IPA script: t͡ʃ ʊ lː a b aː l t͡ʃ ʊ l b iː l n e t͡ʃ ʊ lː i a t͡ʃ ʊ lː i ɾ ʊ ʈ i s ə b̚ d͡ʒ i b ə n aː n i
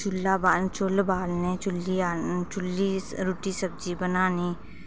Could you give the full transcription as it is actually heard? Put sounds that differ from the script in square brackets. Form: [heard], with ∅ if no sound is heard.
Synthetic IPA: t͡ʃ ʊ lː a b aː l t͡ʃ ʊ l b [aː] l n e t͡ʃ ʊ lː i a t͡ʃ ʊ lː i ɾ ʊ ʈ i s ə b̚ d͡ʒ i b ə n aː n i